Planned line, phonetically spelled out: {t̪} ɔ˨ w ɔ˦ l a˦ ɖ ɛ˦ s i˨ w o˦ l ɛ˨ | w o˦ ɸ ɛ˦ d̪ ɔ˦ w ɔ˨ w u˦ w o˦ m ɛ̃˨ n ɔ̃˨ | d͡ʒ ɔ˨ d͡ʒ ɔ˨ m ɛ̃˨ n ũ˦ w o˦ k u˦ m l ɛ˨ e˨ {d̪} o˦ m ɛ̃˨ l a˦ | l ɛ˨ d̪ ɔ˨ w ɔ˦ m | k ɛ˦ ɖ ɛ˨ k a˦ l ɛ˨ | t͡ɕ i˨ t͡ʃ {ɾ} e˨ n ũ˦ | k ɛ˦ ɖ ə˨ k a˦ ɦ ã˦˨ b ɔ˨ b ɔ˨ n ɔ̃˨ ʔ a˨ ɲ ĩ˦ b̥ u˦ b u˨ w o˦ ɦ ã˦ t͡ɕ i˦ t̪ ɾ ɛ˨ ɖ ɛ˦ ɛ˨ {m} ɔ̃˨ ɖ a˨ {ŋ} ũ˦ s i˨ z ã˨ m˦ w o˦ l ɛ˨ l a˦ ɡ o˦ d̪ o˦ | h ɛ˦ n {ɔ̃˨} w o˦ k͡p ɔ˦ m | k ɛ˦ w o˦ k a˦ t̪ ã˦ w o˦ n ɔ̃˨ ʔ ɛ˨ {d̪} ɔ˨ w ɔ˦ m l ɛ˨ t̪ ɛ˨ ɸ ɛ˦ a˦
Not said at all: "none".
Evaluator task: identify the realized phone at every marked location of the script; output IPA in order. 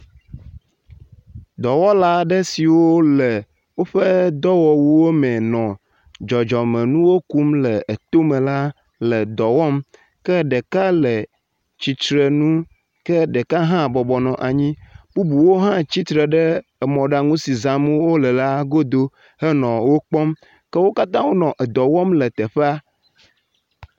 d̪, t̪, ɾ, m, ŋ, ɔ̃˨, d̪

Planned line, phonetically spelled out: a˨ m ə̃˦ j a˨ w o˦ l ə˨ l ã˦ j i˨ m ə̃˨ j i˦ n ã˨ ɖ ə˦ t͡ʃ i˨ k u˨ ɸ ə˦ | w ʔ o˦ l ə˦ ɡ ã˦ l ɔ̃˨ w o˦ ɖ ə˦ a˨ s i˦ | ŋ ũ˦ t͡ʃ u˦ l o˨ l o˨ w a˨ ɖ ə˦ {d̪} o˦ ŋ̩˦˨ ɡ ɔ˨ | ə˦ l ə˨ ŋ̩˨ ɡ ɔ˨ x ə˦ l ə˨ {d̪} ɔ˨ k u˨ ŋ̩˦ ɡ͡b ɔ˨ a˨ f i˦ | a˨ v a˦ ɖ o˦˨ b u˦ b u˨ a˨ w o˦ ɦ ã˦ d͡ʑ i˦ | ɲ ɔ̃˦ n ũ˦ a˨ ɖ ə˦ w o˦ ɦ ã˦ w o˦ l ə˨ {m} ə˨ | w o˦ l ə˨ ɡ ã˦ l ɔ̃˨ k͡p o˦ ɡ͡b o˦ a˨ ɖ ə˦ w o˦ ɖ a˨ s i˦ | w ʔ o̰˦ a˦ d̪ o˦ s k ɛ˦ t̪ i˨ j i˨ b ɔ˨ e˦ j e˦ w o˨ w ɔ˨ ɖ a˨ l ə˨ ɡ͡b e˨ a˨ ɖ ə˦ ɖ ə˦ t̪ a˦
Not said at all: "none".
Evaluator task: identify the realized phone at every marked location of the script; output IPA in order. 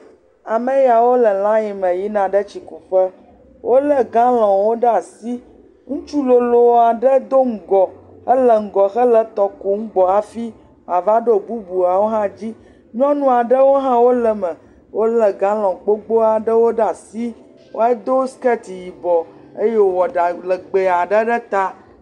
d̪, t̪, m

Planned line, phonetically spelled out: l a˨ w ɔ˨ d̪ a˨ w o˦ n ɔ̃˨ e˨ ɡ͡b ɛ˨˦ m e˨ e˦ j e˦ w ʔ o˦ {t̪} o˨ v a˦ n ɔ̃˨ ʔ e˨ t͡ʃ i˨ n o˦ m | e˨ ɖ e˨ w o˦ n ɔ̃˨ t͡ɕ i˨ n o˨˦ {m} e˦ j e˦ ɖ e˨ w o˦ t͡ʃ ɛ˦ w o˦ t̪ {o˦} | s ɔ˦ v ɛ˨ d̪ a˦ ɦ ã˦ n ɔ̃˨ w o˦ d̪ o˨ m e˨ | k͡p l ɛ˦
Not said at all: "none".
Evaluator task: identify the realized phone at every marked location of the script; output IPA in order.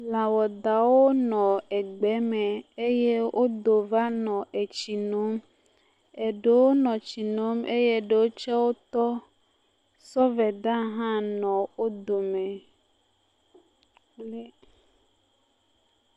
d̪, m, ɔ˦

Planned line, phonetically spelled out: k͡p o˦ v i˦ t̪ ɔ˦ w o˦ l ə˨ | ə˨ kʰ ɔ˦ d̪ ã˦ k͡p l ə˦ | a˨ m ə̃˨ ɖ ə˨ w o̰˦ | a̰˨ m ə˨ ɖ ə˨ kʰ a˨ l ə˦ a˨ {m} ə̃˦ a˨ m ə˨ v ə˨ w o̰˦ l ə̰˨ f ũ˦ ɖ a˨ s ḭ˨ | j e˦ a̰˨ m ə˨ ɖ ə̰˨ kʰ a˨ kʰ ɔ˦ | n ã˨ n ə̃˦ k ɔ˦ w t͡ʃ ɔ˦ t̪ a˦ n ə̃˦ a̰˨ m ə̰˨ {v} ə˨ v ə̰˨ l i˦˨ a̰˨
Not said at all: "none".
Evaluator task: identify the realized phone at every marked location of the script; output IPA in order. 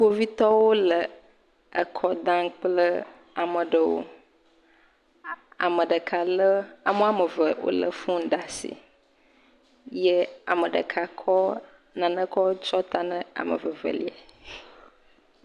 m, v

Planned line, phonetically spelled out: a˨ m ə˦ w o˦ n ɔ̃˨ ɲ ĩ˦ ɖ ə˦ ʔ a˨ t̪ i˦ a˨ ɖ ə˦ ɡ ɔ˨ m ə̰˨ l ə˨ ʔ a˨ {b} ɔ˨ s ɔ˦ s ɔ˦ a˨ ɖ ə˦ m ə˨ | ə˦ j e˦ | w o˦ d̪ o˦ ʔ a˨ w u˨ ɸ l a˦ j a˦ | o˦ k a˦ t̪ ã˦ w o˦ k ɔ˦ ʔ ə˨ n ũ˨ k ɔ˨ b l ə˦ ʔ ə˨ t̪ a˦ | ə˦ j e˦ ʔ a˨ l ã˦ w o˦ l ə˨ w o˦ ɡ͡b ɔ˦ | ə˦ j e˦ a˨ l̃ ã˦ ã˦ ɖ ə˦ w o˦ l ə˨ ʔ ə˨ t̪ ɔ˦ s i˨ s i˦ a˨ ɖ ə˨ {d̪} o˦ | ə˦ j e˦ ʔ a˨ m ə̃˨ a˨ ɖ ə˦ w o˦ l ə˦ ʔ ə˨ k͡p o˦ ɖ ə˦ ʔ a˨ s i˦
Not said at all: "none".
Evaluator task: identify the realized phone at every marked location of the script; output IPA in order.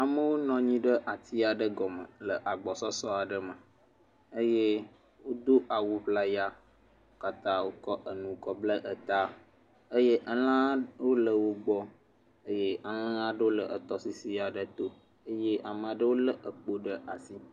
ɡ͡b, t̪

